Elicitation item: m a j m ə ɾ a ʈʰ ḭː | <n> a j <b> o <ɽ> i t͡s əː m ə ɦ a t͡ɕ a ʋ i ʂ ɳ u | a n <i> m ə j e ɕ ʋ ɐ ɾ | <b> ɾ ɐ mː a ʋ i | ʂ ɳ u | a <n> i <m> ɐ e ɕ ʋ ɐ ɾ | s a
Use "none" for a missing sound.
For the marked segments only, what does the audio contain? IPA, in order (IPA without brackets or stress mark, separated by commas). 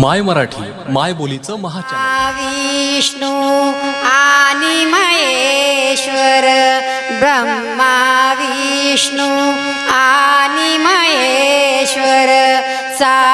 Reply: m, b, l, i, b, n, m